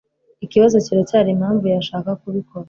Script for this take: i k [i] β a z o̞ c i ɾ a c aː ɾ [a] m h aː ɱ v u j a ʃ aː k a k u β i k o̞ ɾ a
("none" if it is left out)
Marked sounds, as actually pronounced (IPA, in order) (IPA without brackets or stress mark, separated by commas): i, i